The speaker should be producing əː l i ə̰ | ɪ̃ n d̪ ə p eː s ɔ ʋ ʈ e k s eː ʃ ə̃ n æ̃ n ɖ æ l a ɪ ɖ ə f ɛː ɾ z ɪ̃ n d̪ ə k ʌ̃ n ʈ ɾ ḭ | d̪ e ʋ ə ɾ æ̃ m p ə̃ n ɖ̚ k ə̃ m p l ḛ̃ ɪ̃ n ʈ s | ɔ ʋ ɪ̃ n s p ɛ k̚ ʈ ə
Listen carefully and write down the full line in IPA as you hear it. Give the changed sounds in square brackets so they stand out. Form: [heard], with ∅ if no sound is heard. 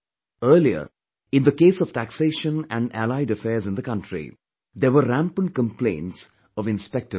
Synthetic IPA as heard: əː l i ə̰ | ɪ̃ n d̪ ə [k] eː s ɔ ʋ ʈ [æ] k s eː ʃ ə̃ n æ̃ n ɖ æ l a ɪ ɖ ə f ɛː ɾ z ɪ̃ n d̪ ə k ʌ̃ n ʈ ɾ ḭ | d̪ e ʋ ə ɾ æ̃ m p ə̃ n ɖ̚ k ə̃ m p l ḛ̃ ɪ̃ n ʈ s | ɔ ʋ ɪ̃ n s p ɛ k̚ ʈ ə